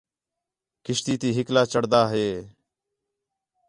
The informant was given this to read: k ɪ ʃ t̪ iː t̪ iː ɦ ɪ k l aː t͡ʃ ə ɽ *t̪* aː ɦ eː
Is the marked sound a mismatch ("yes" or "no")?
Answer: yes